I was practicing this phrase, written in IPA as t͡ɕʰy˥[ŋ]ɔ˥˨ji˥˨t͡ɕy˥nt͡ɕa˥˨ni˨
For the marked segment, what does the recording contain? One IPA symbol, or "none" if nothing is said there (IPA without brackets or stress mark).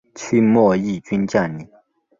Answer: m